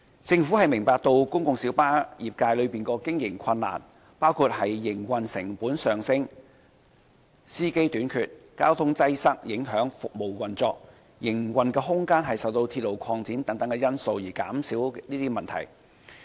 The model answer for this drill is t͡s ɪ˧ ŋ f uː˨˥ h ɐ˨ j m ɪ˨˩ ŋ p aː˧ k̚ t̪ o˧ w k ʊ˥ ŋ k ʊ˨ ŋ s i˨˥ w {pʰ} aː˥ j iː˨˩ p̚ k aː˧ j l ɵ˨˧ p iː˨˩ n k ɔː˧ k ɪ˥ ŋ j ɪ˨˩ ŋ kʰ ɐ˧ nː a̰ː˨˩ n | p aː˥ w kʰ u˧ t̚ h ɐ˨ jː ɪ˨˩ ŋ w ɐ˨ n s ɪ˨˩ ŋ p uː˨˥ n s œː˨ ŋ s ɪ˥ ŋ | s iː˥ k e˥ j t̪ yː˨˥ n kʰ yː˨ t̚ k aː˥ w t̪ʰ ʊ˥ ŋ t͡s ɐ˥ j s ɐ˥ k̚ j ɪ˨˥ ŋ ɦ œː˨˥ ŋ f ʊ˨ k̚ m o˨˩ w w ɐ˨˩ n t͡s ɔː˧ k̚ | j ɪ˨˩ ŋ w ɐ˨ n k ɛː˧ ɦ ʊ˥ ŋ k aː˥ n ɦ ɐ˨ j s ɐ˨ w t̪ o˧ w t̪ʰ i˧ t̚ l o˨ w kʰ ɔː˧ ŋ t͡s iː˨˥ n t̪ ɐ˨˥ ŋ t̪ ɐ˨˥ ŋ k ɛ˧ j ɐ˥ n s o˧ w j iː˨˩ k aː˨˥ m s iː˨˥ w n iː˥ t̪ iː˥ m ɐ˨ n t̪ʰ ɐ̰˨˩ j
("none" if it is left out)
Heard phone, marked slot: p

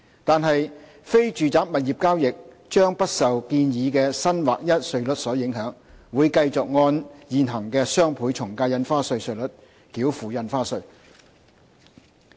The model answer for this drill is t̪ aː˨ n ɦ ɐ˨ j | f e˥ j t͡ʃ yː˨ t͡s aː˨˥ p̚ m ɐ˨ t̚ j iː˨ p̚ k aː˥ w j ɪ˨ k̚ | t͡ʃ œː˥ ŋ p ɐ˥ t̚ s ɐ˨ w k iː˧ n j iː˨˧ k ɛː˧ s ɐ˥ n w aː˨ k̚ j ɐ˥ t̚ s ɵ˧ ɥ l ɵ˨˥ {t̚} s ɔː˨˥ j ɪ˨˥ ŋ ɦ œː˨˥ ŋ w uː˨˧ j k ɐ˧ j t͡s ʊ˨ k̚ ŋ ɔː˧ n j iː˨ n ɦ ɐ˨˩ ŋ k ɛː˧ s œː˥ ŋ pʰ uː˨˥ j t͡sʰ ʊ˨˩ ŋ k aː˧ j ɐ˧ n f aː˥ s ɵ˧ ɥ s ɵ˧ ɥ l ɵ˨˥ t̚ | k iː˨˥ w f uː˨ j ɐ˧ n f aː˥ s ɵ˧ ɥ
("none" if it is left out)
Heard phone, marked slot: t̚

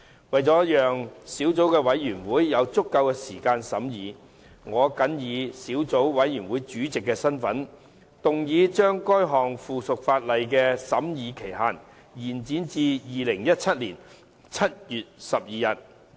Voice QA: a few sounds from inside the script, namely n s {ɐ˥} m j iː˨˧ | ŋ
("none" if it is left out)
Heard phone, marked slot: ɐ˨˥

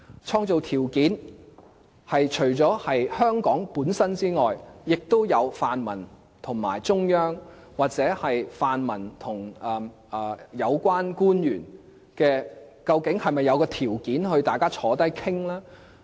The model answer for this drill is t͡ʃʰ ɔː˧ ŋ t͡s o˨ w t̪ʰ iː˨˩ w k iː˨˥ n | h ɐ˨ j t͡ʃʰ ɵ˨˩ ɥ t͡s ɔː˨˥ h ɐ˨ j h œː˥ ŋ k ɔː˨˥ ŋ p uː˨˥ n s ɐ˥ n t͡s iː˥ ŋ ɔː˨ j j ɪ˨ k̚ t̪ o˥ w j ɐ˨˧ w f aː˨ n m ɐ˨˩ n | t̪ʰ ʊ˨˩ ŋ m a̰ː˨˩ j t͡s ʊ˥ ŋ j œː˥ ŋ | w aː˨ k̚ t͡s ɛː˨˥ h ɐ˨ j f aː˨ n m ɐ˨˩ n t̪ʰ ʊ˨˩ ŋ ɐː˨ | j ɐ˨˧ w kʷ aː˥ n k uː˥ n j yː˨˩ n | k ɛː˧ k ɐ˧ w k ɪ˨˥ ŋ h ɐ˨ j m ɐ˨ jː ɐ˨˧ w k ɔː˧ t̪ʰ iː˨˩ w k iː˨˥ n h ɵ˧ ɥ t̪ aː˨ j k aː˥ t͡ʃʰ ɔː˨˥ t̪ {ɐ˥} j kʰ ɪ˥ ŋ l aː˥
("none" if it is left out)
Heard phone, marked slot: ɐ˥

